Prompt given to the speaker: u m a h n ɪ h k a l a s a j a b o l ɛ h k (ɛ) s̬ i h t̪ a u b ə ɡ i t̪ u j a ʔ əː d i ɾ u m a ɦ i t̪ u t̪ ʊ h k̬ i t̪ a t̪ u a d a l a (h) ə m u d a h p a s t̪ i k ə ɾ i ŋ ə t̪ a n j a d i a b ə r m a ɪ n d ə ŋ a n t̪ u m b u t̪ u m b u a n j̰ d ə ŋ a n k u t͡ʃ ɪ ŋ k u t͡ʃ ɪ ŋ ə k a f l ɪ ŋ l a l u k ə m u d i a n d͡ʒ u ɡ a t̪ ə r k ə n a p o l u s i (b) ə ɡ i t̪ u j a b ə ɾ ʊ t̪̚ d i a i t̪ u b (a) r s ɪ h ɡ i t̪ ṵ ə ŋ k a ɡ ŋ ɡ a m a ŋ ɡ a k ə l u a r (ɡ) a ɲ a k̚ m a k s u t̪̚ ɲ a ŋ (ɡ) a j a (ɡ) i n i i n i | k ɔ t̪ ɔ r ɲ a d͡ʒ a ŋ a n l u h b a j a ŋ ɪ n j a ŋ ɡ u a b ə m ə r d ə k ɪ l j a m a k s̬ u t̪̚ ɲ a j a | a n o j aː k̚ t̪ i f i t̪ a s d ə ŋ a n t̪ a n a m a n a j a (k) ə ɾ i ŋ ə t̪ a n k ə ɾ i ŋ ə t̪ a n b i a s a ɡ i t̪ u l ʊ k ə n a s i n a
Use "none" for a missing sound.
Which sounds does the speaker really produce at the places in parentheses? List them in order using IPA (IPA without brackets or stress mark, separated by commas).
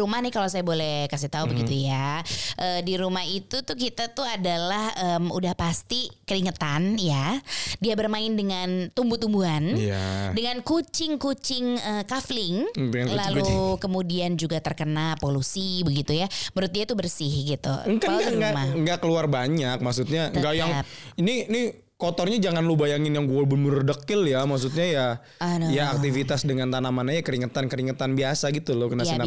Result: a, h, b, ə, b, ɡ, ŋ, k